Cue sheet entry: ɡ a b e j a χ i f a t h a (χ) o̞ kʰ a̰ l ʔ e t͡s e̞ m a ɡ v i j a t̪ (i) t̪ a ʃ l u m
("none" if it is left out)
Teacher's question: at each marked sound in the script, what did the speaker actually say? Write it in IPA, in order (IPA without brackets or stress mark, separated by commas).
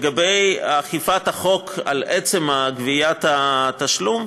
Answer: χ, a